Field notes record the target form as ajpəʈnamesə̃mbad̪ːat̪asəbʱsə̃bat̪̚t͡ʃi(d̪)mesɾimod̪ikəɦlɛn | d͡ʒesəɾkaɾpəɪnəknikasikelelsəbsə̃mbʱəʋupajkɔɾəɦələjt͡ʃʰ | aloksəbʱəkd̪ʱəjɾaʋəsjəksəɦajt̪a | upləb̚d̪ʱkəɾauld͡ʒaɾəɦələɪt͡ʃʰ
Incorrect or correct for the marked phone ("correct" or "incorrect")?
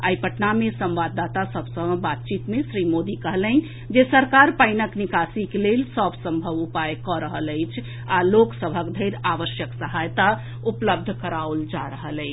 incorrect